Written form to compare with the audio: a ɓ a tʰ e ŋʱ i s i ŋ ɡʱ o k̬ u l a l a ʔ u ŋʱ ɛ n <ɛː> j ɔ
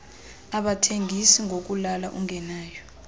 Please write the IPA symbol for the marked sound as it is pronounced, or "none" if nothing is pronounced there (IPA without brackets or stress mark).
aː